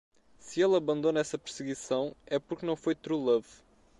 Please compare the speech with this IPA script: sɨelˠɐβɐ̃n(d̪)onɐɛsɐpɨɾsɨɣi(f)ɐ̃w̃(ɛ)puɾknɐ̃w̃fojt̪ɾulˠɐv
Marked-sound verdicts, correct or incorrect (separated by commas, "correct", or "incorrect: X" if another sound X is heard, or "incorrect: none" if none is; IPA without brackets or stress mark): correct, incorrect: s, correct